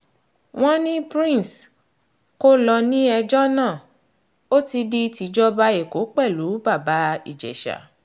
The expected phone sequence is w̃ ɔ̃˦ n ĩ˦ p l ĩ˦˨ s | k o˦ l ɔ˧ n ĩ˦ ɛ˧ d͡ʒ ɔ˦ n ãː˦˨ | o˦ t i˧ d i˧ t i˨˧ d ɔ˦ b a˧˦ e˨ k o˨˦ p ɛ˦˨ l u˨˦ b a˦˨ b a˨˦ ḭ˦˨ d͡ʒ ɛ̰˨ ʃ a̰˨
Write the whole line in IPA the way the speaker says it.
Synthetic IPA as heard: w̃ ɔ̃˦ n ĩ˦ p ɾ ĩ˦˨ s | k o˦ l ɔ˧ n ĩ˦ ɛ˧ d͡ʒ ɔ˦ n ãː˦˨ | o˦ t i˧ d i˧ t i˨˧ d͡ʒ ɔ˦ b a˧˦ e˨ k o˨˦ k͡p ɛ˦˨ l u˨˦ b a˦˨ b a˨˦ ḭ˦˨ d͡ʒ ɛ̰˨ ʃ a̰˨